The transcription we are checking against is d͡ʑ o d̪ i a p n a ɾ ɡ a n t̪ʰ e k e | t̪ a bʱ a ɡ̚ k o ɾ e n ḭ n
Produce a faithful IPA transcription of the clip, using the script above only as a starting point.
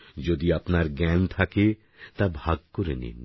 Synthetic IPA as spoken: d͡ʑ o d̪ i a p n a ɾ ɡ ɛ n t̪ʰ a k e | t̪ a bʱ a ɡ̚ k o ɾ e n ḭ n